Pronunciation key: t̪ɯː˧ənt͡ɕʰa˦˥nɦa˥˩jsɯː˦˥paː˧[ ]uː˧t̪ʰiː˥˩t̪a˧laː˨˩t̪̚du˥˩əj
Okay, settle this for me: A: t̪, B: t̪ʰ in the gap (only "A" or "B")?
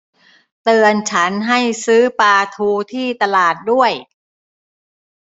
B